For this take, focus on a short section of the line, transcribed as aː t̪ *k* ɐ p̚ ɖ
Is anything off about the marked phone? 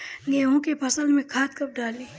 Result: no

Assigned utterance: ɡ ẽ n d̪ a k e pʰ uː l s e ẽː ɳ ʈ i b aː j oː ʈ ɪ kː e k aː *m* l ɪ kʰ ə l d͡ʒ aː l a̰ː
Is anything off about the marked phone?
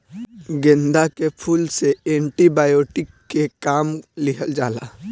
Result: no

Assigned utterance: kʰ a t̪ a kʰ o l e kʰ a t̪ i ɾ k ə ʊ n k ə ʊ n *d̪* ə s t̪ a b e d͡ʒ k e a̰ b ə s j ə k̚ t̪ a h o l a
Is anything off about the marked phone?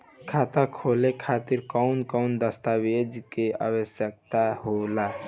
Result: no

